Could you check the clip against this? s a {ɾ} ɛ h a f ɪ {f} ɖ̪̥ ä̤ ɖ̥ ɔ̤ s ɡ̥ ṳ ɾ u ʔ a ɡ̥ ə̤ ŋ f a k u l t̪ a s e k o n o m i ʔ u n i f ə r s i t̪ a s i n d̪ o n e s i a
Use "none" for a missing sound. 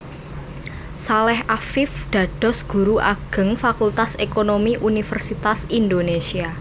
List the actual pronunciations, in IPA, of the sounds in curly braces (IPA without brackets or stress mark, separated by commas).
l, f